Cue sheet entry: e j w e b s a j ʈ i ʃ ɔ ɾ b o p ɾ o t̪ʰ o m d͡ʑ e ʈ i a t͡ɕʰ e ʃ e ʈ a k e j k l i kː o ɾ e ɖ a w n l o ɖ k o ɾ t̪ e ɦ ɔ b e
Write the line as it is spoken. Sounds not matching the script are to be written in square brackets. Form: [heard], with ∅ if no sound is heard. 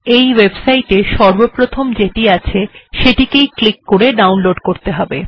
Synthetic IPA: e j w e b s a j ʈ [e] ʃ ɔ ɾ b o p ɾ o t̪ʰ o m d͡ʑ e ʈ i a t͡ɕʰ e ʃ e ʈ [i] k e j k l i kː o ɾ e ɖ a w n l o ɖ k o ɾ t̪ e ɦ ɔ b e

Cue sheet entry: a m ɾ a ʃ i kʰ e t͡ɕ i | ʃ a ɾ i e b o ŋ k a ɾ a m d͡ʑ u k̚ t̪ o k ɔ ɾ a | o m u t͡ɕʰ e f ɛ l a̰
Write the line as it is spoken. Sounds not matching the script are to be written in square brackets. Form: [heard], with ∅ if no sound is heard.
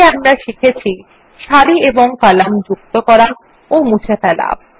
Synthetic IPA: a m ɾ a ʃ i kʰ e [t͡ɕʰ] i | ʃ a ɾ i e b o ŋ k a [l] a m d͡ʑ u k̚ t̪ o k ɔ ɾ a | o m u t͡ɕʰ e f ɛ l a̰

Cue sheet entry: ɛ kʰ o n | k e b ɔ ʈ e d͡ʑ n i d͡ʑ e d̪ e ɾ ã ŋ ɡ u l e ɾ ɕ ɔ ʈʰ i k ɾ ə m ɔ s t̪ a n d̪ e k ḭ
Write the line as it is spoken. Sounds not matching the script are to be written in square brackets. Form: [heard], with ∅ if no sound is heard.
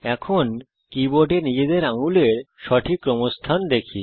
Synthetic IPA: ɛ kʰ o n | k [i] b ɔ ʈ e [∅] n i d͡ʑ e d̪ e ɾ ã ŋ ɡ u l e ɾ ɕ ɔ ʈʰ i k ɾ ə m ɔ s [t̪ʰ] a n d̪ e [kʰ] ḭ

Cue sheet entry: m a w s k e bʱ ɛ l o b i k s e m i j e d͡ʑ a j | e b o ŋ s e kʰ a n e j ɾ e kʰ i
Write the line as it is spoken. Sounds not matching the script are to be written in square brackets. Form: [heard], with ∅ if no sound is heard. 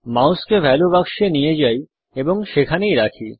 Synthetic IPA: m a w s k e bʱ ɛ l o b [a] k [ʃ] e [n] i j e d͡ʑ a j | e b o ŋ [ʃ] e kʰ a n e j ɾ [a] kʰ i

